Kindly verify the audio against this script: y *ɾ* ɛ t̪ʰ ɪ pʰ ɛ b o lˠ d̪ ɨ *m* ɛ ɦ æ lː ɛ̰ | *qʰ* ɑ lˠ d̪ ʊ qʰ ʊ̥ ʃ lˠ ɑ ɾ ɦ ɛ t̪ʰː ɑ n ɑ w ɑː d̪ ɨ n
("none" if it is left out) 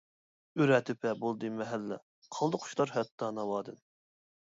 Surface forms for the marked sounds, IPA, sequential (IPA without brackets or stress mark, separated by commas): ɾ, m, qʰ